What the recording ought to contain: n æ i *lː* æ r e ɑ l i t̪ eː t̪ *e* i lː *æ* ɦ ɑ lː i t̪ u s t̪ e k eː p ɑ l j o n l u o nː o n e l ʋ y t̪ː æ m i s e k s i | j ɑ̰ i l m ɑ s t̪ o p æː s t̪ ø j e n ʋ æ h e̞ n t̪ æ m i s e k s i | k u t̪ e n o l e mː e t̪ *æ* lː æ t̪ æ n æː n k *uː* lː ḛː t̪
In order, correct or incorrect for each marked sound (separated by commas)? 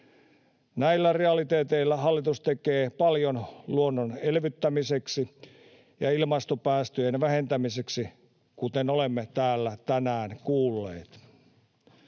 correct, correct, correct, incorrect, correct